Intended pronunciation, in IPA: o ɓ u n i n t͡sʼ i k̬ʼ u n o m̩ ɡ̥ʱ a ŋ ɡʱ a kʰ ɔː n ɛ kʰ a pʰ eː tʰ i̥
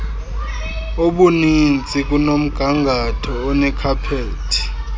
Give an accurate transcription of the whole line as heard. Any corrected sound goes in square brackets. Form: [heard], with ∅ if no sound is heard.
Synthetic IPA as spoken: o ɓ u n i n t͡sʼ i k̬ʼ u n o m̩ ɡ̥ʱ a ŋ ɡʱ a [tʰ] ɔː n ɛ kʰ a pʰ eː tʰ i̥